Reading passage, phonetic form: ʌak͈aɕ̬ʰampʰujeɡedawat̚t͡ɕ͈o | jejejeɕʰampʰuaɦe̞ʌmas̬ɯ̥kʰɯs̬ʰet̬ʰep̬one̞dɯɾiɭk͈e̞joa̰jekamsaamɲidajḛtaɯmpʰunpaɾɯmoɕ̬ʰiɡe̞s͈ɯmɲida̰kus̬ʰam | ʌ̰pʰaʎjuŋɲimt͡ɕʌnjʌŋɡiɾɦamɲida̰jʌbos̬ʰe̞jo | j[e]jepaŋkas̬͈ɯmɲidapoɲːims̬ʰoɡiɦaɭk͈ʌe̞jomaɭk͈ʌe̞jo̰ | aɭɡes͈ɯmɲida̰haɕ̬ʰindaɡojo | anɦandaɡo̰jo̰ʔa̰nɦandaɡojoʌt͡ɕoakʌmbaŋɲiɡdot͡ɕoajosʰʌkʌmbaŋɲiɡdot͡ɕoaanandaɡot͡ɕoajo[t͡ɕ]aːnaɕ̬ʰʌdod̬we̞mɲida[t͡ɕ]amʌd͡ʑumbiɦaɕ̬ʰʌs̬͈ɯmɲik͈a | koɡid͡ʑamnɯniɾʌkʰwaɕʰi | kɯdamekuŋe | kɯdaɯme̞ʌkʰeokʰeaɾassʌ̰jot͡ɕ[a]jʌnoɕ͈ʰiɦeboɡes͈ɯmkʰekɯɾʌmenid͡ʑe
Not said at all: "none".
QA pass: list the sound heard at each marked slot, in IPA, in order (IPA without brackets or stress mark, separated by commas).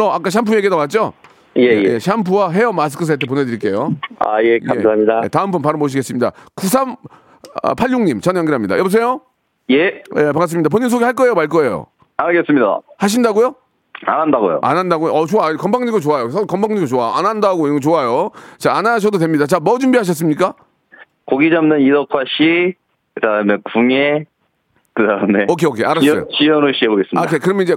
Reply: e, t͡ɕ, t͡ɕ, i